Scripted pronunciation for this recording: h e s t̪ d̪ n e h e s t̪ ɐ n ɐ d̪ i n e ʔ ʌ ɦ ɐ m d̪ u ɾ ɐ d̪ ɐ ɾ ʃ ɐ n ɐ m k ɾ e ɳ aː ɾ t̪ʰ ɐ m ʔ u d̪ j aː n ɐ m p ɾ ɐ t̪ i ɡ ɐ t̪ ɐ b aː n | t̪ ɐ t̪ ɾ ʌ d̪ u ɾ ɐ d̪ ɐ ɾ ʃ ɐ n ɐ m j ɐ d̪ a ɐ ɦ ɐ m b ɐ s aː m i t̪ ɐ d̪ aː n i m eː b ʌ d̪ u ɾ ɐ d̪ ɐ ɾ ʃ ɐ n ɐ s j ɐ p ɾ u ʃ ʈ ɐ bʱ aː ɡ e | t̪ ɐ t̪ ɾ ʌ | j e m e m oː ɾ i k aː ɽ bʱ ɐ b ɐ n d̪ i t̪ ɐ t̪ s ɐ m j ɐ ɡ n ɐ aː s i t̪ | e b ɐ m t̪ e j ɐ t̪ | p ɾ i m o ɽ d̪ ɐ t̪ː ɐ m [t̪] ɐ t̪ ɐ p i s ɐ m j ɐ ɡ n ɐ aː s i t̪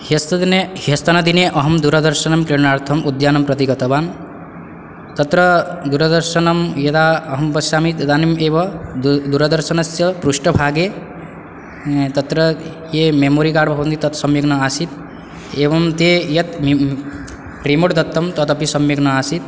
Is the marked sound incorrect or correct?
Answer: correct